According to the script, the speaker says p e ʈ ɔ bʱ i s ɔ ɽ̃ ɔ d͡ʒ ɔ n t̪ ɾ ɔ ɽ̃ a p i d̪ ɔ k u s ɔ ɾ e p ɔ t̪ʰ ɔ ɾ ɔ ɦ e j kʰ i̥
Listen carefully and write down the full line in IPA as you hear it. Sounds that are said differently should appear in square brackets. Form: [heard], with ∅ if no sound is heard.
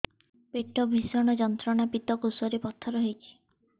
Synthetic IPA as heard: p e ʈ ɔ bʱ i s ɔ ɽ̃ ɔ d͡ʒ ɔ n t̪ ɾ ɔ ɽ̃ a p i [t̪] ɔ k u s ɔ ɾ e p ɔ t̪ʰ ɔ ɾ ɔ ɦ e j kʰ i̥